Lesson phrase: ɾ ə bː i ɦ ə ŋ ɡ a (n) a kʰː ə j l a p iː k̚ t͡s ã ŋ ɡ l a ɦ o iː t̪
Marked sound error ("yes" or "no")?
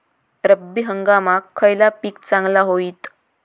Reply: yes